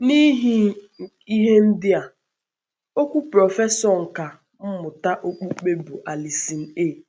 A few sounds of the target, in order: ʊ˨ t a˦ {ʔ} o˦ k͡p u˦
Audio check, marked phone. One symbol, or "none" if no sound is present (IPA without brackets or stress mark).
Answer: ʔ